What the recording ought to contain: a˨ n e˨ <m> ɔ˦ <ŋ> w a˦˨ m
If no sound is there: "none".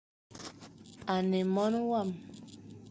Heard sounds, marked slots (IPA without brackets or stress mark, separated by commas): m, n